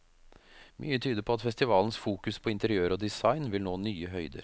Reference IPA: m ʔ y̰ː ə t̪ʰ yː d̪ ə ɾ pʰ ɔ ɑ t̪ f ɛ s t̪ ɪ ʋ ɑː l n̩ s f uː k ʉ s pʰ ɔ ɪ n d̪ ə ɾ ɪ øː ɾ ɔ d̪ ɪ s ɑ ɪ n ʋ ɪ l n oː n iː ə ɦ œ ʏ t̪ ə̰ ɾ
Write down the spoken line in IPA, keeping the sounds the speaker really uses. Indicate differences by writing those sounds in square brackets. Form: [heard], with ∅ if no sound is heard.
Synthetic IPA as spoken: m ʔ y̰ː ə t̪ʰ yː d̪ ə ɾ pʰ ɔ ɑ t̪ f ɛ s t̪ ɪ ʋ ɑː l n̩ s f uː k ʉ s pʰ ɔ ɪ n [t̪] ə ɾ ɪ øː ɾ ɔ d̪ ɪ s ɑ ɪ n ʋ ɪ l n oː n [yː] ə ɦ œ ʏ [d̪] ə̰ ɾ